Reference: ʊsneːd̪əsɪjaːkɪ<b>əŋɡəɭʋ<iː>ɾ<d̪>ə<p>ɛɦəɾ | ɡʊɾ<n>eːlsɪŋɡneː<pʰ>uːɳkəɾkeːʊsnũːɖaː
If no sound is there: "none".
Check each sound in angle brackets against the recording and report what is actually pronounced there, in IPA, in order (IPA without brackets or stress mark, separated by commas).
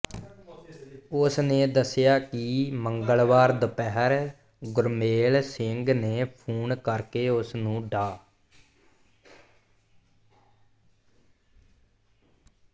m, aː, d̪, p, m, pʰ